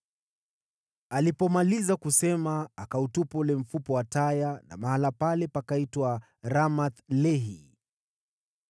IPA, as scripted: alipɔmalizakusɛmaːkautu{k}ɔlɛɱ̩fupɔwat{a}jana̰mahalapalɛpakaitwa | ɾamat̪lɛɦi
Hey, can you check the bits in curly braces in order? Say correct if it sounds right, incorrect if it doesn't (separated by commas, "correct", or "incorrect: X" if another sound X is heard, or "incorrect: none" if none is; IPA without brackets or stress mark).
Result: incorrect: p, correct